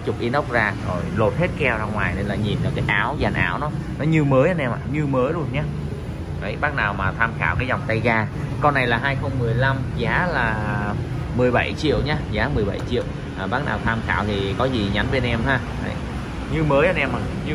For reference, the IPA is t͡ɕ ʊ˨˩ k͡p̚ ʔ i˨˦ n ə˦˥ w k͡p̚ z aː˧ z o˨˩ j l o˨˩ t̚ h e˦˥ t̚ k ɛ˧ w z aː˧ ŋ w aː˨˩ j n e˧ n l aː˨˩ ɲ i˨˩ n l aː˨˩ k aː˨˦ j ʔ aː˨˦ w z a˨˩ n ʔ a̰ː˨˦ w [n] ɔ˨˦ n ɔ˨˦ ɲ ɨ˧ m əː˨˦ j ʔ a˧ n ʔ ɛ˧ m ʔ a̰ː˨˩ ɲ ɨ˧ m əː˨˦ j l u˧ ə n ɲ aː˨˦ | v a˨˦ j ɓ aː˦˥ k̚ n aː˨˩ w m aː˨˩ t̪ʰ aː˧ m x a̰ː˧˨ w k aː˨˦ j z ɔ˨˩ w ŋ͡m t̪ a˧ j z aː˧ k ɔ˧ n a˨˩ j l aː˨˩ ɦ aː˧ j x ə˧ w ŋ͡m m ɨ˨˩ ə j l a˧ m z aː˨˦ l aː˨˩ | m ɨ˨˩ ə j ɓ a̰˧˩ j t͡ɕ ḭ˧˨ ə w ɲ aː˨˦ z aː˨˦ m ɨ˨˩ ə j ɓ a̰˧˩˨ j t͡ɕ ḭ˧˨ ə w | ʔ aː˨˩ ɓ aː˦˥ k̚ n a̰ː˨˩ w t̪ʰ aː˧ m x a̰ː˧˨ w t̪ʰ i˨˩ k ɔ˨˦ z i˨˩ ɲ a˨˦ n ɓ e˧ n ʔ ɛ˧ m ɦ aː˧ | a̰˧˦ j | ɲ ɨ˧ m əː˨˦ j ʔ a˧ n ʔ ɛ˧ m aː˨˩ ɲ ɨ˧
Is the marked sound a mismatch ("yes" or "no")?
no